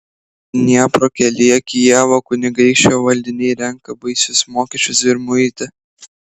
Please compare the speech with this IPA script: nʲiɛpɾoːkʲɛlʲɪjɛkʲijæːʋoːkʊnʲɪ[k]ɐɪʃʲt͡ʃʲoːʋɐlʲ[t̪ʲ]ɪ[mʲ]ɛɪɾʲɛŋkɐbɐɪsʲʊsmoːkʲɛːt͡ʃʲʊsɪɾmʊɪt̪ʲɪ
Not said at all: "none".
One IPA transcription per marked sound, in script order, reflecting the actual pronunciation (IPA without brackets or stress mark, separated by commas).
ɡ, d̪ʲ, nʲ